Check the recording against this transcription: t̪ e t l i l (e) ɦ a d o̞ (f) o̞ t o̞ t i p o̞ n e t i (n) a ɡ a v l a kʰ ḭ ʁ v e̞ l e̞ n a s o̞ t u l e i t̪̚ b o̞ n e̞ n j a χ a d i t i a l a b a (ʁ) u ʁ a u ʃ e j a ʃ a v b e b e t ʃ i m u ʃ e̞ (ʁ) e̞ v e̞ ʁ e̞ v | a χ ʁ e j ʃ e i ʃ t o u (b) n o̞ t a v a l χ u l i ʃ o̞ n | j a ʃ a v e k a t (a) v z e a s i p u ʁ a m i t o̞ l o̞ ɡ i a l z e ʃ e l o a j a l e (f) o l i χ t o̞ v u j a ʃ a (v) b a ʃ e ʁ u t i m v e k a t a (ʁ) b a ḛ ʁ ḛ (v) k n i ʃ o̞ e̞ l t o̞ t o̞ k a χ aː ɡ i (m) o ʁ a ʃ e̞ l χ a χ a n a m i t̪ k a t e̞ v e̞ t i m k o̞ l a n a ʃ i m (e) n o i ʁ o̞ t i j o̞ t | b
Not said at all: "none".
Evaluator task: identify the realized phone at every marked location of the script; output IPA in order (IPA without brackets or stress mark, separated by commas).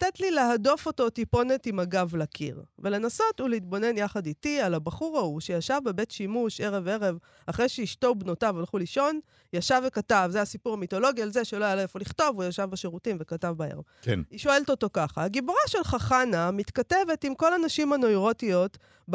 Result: e, f, m, χ, ʁ, b, a, f, v, v, v, b, a